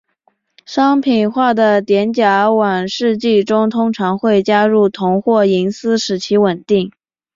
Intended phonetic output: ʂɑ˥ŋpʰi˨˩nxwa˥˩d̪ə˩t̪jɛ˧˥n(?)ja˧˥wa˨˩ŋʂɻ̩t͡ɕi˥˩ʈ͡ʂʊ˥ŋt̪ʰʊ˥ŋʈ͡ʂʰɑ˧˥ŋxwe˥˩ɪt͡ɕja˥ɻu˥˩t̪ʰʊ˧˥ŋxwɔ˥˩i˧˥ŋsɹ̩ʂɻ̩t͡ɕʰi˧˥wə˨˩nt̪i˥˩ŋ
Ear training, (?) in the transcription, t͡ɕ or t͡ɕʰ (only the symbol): t͡ɕ